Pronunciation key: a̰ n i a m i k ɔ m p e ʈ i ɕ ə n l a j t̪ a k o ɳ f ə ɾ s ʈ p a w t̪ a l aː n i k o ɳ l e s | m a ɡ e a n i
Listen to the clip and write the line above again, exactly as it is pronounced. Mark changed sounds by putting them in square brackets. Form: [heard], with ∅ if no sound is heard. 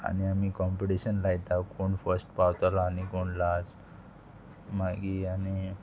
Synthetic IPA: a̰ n i a m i k ɔ m p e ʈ i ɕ ə n l a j t̪ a k o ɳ f ə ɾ s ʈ p a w t̪ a l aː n i k o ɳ l [a] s | m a ɡ [i] a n i